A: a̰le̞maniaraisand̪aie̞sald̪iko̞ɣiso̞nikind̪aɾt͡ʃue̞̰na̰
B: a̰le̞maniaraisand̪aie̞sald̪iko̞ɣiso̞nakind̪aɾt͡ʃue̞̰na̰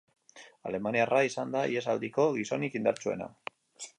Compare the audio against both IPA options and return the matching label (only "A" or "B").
A